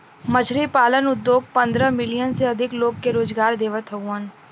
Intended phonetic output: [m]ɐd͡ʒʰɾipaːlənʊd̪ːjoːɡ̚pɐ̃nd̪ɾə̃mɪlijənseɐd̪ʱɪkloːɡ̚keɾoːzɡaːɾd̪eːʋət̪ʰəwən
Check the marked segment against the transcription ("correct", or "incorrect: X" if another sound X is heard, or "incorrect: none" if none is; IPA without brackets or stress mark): correct